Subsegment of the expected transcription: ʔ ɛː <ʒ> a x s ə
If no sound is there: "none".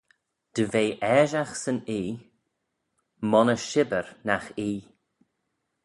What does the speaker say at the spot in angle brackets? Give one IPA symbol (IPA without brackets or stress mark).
ʒ